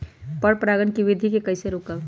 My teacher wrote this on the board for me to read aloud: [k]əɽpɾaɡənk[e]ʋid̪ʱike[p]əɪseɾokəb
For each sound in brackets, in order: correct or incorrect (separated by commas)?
incorrect, incorrect, incorrect